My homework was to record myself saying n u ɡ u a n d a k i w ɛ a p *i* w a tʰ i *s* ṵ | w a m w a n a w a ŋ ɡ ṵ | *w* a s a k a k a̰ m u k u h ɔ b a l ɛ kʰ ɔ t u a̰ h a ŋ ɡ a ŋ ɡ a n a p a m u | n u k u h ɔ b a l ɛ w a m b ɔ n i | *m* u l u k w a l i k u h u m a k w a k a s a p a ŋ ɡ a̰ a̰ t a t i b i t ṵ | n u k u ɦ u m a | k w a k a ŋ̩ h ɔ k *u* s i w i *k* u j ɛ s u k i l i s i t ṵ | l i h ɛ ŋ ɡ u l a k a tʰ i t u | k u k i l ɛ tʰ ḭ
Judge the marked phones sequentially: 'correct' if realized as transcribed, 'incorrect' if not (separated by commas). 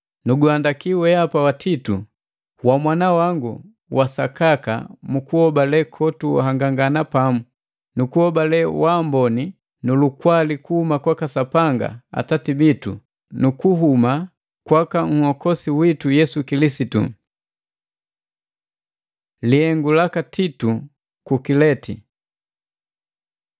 incorrect, incorrect, correct, incorrect, incorrect, incorrect